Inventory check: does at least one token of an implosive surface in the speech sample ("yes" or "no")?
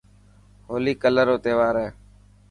no